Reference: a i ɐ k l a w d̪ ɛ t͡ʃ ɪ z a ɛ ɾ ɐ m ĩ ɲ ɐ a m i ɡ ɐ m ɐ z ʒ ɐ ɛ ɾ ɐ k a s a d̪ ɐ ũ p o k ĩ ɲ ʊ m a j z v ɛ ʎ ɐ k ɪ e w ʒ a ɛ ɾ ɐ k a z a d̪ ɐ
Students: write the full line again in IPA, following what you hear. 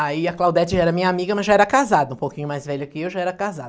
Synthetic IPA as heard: a i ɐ k l a w d̪ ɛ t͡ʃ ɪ ʒ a ɛ ɾ ɐ m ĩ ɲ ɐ a m i ɡ ɐ m ɐ z ʒ a ɛ ɾ ɐ k a z a d̪ ɐ ũ p o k ĩ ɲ ʊ m a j z v ɛ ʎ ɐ k ɪ e w ʒ a ɛ ɾ ɐ k a z a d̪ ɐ